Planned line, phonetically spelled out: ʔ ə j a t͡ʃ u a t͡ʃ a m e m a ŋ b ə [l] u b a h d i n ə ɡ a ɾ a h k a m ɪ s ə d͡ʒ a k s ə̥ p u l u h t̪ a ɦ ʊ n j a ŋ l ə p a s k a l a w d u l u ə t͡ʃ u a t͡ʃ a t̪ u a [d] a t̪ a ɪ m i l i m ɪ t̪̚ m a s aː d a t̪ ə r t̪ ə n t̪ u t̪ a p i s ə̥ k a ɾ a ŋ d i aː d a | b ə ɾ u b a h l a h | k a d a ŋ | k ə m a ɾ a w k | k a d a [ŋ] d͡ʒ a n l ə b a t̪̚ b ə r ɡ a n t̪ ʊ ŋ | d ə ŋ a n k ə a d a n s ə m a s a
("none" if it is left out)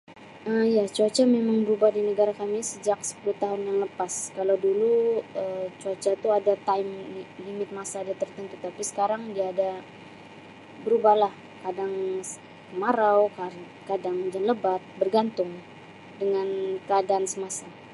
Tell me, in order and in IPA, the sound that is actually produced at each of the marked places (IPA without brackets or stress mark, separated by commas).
ɾ, d, ŋ